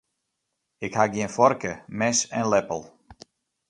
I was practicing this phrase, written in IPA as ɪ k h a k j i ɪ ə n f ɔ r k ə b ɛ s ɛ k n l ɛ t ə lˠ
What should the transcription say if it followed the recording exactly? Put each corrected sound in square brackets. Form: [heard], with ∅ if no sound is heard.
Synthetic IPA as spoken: ɪ k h a [ɡ] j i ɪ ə n f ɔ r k ə [m] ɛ s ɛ [∅] n l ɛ [p] ə lˠ